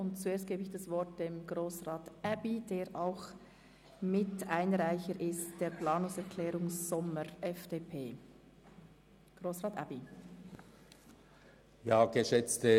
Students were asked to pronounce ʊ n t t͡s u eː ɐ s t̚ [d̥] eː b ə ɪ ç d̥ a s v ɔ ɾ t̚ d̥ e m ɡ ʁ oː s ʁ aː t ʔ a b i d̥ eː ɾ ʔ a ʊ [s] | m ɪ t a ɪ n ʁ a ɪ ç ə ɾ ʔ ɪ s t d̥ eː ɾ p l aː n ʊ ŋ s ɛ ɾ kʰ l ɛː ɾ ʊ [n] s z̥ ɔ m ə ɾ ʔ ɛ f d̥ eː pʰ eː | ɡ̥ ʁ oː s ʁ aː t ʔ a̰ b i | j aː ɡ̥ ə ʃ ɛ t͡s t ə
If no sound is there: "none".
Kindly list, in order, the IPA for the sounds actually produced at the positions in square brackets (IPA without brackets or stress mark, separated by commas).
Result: ɡ̥, x, ŋ